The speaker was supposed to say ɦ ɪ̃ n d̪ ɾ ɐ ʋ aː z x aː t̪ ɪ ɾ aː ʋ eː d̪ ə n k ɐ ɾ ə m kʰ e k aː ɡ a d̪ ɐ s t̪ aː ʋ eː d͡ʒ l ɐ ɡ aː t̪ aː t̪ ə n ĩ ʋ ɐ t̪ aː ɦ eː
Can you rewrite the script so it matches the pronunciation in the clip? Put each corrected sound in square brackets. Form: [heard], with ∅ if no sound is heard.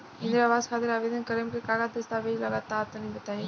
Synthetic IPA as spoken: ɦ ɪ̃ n d̪ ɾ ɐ ʋ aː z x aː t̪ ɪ ɾ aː ʋ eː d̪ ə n k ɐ ɾ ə m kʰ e k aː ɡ a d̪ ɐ s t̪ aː ʋ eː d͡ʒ l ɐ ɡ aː t̪ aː t̪ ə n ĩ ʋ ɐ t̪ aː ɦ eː